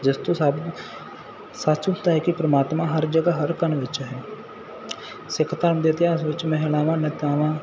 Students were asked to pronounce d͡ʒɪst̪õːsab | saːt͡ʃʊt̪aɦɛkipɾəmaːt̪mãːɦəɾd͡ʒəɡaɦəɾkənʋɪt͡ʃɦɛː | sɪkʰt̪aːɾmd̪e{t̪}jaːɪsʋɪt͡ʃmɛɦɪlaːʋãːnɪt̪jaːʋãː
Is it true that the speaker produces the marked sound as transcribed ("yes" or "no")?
yes